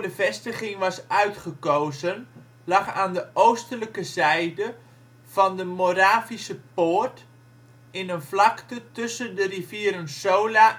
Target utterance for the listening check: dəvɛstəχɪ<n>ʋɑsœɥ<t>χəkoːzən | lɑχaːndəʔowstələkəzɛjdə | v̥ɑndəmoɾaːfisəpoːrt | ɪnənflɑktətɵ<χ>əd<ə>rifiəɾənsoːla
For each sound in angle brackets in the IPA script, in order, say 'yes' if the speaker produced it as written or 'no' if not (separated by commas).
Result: no, yes, no, yes